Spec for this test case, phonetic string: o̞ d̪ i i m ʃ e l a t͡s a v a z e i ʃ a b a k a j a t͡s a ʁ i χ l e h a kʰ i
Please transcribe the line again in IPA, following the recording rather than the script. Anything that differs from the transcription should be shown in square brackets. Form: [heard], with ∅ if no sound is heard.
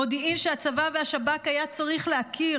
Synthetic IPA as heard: o̞ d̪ i i m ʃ e [∅] a t͡s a v a [v] e [a] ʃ a b a k a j a t͡s a ʁ i χ l e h a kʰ i